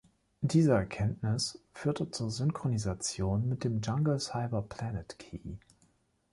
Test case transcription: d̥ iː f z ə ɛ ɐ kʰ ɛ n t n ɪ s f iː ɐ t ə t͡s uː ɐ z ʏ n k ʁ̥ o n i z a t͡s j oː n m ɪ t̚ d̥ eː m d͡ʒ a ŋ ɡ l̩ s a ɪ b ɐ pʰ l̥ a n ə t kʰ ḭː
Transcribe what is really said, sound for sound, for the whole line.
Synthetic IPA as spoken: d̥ iː z ə ɛ ɐ kʰ ɛ n t n ɪ s f yː ɐ t ə t͡s uː ɐ z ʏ n k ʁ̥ o n i z a t͡s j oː n m ɪ t̚ d̥ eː m d͡ʒ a ŋ ɡ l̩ s a ɪ b ɐ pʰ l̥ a n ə t kʰ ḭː